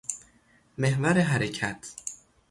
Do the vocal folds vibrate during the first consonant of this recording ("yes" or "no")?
yes